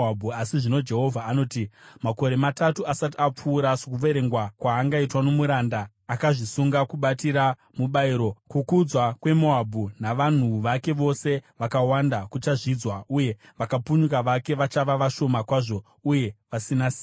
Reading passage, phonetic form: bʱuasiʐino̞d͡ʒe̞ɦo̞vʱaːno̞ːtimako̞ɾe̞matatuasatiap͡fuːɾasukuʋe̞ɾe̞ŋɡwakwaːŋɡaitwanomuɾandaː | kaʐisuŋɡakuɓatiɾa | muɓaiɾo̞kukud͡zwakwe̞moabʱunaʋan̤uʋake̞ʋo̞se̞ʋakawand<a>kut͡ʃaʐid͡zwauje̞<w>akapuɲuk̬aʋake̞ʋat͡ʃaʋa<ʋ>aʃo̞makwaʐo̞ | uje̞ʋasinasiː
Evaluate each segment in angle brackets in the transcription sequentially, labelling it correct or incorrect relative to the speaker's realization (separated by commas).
correct, incorrect, correct